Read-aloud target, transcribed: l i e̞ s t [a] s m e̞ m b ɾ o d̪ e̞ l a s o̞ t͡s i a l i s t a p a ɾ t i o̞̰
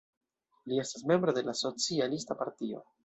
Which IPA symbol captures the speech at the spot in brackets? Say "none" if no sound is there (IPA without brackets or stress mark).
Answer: a